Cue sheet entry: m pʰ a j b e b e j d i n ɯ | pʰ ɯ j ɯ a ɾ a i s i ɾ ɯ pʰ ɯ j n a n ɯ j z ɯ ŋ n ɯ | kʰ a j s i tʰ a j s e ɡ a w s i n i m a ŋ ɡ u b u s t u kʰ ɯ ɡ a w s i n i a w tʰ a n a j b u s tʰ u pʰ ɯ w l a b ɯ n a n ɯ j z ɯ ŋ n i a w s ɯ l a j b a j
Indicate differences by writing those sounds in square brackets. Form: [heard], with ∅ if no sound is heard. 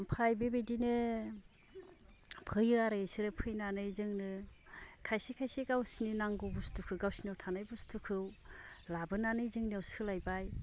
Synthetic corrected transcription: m pʰ a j b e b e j d i n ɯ | pʰ ɯ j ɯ a ɾ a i s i ɾ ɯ pʰ ɯ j n a n ɯ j z ɯ ŋ n ɯ | kʰ a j s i [kʰ] a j s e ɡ a w s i n i [n] a ŋ ɡ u b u s t u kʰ ɯ ɡ a w s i n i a w tʰ a n a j b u s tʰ u [kʰ] ɯ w l a b ɯ n a n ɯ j z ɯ ŋ n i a w s ɯ l a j b a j